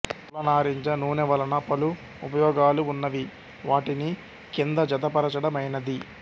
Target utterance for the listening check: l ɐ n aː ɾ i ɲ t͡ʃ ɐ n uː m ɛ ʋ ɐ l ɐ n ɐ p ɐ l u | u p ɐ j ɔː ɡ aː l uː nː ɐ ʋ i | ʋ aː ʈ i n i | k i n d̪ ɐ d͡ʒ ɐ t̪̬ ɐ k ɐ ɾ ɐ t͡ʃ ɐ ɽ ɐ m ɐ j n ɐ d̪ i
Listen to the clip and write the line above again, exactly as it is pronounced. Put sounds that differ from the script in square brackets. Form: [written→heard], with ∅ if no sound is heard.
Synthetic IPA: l ɐ n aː ɾ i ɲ t͡ʃ ɐ n uː [m→n] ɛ ʋ ɐ l ɐ n ɐ p ɐ l u | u p ɐ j ɔː ɡ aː l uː nː ɐ ʋ i | ʋ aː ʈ i n i | k i n d̪ ɐ d͡ʒ ɐ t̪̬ ɐ [k→p] ɐ ɾ ɐ t͡ʃ ɐ ɽ ɐ m ɐ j n ɐ d̪ i